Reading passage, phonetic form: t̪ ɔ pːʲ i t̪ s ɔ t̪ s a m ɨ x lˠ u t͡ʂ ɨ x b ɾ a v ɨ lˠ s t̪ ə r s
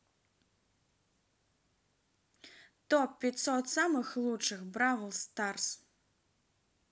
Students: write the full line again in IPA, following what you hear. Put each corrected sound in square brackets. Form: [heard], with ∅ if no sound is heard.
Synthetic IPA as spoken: t̪ ɔ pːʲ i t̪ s ɔ t̪ s a m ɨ x lˠ u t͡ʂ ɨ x b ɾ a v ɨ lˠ s t̪ [a] r s

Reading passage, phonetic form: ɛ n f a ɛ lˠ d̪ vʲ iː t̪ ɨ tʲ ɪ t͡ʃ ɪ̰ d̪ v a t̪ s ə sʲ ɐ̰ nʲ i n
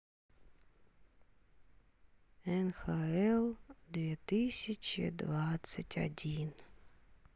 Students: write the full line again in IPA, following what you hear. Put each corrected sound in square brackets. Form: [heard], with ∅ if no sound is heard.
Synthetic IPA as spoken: ɛ n [x] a ɛ lˠ d̪ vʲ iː t̪ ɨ [sʲ] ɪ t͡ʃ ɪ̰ d̪ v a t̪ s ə [tʲ] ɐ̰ [dʲ] i n

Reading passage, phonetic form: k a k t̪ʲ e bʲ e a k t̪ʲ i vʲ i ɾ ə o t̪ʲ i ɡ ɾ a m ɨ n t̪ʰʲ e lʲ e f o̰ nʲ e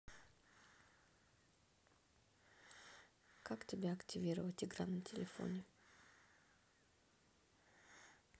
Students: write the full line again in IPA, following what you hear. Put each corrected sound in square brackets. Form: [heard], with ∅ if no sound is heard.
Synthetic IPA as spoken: k a k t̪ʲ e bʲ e a k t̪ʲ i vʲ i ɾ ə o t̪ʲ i ɡ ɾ a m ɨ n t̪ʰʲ e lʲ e f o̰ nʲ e

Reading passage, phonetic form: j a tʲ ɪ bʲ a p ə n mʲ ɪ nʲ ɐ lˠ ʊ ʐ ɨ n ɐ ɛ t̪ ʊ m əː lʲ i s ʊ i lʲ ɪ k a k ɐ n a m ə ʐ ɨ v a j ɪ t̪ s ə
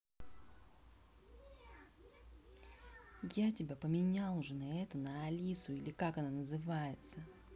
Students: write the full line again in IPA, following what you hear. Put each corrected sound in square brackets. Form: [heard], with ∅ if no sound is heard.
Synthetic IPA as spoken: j a tʲ ɪ bʲ a p ə [∅] mʲ ɪ nʲ [a] lˠ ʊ ʐ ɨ n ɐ ɛ t̪ ʊ [n] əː lʲ i s ʊ i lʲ ɪ k a k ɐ n a [n] ə [z] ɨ v a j ɪ t̪ s ə

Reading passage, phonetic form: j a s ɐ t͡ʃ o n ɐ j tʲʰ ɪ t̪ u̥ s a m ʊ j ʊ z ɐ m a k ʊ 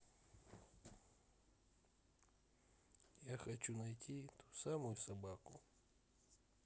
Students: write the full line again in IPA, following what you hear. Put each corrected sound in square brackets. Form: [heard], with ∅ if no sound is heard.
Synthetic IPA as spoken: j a [x] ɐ t͡ʃ [u] n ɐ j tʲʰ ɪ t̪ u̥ s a m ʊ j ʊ [s] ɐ [b] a k ʊ

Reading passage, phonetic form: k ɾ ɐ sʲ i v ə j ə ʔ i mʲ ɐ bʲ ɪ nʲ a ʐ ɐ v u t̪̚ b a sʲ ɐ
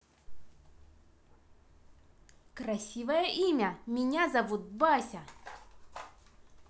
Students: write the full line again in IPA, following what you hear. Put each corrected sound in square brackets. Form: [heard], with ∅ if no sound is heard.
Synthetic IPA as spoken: k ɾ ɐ sʲ i v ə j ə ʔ i mʲ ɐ [mʲ] ɪ nʲ a [z] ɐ v u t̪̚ b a sʲ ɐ

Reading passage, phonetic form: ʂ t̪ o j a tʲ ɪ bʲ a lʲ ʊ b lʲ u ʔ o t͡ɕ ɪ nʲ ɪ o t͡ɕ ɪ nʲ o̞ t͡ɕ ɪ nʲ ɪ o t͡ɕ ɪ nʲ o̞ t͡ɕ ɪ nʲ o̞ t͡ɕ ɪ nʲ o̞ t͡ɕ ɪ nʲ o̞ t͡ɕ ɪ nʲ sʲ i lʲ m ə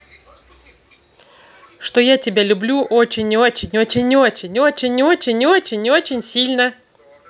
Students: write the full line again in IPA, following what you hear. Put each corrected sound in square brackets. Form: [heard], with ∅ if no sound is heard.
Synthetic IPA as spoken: ʂ t̪ o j a tʲ ɪ bʲ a lʲ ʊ b lʲ u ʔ o t͡ɕ ɪ nʲ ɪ o t͡ɕ ɪ nʲ o̞ t͡ɕ ɪ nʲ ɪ o t͡ɕ ɪ nʲ o̞ t͡ɕ ɪ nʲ o̞ t͡ɕ ɪ nʲ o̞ t͡ɕ ɪ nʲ o̞ t͡ɕ ɪ nʲ sʲ i lʲ [n] ə

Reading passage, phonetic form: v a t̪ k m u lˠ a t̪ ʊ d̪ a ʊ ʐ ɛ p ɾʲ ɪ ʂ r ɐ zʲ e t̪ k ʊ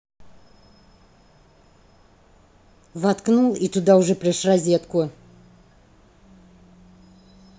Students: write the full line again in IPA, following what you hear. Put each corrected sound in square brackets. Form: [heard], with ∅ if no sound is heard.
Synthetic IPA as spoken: v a t̪ k [n] u lˠ [i] t̪ ʊ d̪ a ʊ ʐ ɛ p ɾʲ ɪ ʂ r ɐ zʲ e t̪ k ʊ

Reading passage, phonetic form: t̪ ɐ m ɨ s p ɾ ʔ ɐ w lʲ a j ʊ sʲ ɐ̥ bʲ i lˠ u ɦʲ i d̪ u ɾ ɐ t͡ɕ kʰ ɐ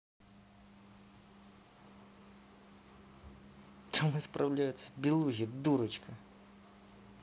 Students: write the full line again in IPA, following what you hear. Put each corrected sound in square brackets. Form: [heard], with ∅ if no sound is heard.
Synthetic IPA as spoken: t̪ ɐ m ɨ s p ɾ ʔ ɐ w lʲ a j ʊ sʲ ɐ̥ bʲ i lˠ u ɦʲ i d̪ u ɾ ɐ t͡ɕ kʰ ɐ

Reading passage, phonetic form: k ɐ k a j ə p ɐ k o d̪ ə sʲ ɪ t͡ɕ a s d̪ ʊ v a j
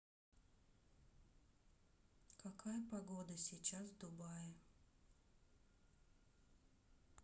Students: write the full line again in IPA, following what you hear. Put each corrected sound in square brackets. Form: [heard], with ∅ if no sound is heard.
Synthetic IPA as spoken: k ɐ k a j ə p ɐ [ɡ] o d̪ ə sʲ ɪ t͡ɕ a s d̪ ʊ [b] a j

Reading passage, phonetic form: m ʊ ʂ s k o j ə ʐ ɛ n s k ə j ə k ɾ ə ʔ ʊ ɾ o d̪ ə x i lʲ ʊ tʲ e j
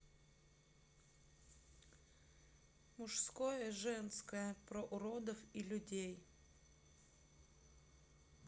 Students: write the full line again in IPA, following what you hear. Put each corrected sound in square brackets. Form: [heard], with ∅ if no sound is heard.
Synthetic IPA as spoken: m ʊ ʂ s k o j ə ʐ ɛ n s k ə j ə [p] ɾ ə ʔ ʊ ɾ o d̪ ə [f] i lʲ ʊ [dʲ] e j

